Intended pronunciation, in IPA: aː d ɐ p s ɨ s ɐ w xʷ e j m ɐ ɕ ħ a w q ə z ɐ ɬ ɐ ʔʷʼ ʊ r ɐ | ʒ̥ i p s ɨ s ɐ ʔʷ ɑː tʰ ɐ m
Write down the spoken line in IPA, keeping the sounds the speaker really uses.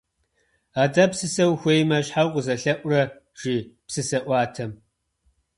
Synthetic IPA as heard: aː d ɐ p s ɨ s ɐ w xʷ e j m ɐ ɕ ħ a w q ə z ɐ ɬ ɐ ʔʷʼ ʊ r ɐ | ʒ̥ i p s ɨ s ɐ ʔʷ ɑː tʰ ɐ m